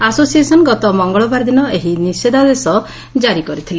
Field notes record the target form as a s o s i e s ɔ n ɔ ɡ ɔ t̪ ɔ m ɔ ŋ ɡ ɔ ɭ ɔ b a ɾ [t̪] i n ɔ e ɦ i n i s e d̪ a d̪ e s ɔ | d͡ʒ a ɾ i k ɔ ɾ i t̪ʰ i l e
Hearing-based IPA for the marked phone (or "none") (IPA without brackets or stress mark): d̪